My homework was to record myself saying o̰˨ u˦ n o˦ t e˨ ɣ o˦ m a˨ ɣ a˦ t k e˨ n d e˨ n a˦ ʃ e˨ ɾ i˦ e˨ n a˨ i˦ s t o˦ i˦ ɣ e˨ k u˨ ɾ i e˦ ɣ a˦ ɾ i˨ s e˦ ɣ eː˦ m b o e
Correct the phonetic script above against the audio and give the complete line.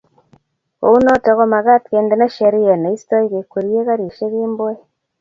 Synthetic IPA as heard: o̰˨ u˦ n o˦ t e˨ ɣ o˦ m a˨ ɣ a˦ t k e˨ n d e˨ n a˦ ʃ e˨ ɾ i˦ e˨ n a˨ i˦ s t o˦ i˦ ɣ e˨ k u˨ ɾ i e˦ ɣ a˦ ɾ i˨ ʃ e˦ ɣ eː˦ m b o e